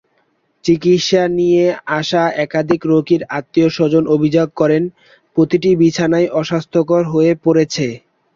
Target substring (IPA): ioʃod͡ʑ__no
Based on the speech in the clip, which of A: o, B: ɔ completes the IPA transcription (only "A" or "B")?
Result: A